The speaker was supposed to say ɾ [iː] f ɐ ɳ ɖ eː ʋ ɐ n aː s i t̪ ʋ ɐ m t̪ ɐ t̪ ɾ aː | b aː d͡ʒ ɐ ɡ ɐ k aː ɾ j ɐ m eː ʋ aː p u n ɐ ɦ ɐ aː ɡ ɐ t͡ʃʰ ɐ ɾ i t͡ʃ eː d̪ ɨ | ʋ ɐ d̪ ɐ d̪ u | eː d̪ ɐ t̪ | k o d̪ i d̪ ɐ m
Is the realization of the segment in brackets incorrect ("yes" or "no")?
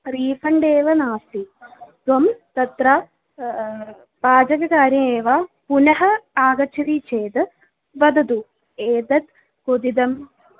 no